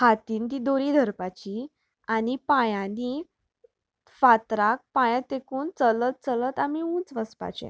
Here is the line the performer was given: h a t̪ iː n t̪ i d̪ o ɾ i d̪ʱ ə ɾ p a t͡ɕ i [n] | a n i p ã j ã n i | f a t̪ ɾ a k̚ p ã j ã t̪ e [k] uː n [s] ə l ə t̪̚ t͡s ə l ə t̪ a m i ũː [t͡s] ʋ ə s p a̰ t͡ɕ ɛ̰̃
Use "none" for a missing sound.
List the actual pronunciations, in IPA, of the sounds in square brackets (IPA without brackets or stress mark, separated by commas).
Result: none, k, t͡s, t͡s